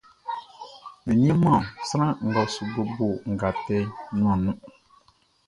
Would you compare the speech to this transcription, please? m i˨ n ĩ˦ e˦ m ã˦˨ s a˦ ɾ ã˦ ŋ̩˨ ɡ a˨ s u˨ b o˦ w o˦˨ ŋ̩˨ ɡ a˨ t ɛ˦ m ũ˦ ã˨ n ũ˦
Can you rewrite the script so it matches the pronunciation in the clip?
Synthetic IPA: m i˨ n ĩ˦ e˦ m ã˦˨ s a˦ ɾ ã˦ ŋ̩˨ ɡ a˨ s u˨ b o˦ b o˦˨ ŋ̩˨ ɡ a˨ t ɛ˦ n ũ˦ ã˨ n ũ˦